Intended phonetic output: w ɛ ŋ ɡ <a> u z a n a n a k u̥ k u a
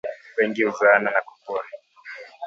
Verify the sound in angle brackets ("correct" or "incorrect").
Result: incorrect